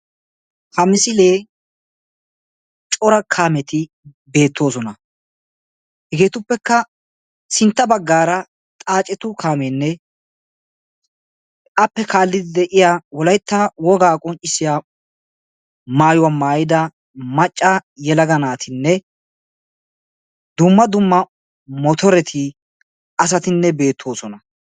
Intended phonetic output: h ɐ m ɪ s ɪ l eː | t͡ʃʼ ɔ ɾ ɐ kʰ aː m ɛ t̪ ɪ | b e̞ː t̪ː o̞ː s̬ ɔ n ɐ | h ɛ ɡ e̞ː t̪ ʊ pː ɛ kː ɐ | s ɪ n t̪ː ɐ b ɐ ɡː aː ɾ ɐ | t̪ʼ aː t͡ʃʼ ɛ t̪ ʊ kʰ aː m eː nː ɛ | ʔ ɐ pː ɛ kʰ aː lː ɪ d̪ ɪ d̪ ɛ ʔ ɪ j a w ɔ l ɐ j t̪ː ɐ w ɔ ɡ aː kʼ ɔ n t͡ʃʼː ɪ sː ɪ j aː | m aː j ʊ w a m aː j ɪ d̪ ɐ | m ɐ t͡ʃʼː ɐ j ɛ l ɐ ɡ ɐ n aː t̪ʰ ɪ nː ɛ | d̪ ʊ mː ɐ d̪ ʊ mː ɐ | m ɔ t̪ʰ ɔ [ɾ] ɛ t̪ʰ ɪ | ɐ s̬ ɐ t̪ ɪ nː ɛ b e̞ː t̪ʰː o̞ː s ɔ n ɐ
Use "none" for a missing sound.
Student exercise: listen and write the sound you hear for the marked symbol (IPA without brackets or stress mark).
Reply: ɾ